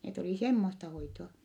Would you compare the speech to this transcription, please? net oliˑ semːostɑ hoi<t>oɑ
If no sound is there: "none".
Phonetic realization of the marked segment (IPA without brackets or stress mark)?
t